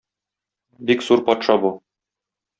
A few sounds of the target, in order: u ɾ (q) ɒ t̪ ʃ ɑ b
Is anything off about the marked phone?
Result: yes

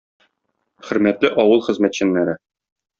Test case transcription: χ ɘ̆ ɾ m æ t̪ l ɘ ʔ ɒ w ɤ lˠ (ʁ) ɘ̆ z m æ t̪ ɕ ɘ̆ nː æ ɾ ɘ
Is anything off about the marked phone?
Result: yes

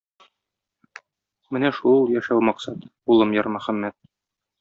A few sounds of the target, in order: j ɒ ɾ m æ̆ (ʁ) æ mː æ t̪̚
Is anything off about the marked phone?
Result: yes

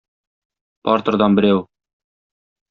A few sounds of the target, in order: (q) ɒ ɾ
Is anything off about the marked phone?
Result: yes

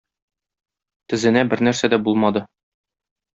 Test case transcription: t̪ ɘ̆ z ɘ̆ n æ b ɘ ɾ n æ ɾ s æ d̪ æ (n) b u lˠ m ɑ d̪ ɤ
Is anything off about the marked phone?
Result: yes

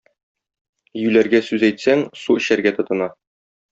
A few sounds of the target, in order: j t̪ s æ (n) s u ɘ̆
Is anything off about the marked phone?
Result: yes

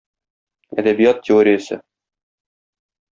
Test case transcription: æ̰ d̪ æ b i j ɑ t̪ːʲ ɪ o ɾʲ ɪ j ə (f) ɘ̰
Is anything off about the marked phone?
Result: yes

